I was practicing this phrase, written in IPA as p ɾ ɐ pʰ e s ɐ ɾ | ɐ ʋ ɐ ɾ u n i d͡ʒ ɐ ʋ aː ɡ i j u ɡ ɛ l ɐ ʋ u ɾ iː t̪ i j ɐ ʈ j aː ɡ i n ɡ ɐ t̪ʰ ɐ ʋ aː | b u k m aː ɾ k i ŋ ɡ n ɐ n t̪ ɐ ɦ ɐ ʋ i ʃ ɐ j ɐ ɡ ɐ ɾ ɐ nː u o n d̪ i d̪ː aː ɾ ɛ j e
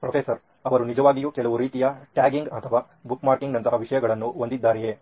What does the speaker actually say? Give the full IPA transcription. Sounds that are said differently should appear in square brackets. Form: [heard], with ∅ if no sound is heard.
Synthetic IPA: p ɾ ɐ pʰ e s ɐ ɾ | ɐ ʋ ɐ ɾ u n i d͡ʒ ɐ ʋ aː ɡ i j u [k] ɛ l ɐ ʋ u ɾ iː t̪ i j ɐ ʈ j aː ɡ i [ŋ] ɡ ɐ t̪ʰ ɐ ʋ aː | b u k m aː ɾ k i ŋ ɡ n ɐ n t̪ ɐ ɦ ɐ ʋ i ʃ ɐ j ɐ ɡ ɐ [ɭ] ɐ nː u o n d̪ i d̪ː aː ɾ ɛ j e